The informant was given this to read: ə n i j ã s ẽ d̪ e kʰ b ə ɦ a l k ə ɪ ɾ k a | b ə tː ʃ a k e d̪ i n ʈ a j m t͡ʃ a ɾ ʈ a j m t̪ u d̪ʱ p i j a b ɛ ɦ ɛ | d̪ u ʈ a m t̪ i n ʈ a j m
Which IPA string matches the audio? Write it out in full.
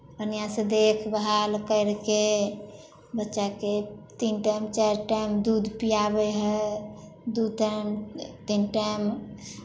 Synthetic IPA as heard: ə n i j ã s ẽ d̪ e kʰ b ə ɦ a l k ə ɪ ɾ k e | b ə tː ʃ a k e t̪ i n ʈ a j m t͡ʃ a ɾ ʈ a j m d̪ u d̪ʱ p i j a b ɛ ɦ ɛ | d̪ u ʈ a m t̪ i n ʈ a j m